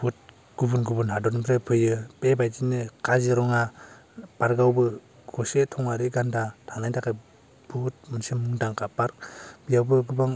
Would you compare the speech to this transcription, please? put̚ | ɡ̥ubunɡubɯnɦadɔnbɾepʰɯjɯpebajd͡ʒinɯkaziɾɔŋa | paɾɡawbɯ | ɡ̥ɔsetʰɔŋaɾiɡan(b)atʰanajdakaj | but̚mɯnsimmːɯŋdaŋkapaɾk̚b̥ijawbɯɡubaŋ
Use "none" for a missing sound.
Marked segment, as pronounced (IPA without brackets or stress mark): d